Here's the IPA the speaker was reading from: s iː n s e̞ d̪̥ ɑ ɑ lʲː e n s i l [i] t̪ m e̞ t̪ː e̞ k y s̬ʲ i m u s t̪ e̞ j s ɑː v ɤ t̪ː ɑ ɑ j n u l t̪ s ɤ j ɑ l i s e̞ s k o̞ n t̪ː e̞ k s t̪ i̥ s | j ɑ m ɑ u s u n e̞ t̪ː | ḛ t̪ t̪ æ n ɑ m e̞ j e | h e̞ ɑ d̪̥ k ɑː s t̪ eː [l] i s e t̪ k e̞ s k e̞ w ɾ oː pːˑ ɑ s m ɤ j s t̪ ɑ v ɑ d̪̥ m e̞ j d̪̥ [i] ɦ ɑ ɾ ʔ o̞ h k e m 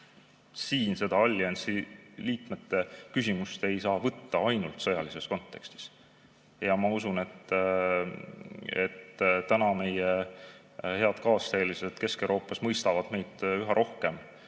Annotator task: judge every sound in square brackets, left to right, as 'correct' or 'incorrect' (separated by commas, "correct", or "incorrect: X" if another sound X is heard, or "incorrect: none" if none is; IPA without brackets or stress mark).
incorrect: iː, correct, incorrect: y